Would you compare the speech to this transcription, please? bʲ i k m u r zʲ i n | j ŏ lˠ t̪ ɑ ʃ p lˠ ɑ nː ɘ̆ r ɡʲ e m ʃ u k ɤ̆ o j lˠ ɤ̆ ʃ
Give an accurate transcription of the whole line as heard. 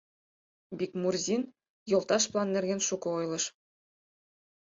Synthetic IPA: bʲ i k m u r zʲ i n | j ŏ lˠ t̪ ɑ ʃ p lˠ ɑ nː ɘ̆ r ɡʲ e n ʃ u k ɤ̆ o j lˠ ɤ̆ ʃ